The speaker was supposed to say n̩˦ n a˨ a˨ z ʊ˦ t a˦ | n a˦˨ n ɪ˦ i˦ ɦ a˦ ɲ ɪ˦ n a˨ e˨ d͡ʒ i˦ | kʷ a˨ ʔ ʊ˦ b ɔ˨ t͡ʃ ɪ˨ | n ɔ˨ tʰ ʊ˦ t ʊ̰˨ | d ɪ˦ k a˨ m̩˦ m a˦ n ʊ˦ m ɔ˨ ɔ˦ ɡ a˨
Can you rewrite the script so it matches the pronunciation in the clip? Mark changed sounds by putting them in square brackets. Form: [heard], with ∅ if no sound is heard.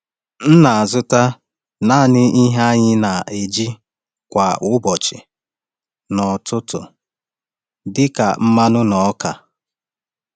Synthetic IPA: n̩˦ n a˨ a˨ z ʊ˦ t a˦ | n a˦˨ n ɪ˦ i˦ ɦ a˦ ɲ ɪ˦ n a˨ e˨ d͡ʒ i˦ | kʷ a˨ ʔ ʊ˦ b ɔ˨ t͡ʃ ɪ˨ | n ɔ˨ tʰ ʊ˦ t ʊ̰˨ | d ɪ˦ k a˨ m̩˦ m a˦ n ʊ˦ [n] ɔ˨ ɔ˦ [k] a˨